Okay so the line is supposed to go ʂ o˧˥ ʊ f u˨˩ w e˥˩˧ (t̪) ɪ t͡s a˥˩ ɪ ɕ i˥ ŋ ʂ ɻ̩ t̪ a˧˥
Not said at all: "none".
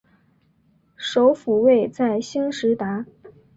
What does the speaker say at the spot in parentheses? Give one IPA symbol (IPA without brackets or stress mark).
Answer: none